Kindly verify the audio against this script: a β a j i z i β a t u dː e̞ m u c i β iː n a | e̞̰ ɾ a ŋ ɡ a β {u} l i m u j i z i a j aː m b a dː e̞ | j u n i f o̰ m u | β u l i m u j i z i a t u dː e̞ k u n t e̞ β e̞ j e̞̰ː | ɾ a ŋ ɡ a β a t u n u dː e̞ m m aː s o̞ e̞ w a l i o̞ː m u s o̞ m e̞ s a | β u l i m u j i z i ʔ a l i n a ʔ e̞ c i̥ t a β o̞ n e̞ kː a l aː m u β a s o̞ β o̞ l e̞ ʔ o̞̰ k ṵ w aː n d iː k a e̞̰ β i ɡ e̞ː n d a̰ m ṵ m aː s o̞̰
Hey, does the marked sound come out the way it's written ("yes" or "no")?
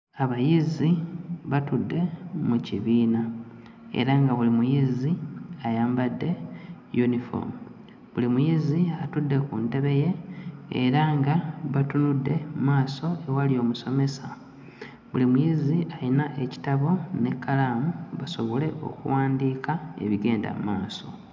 yes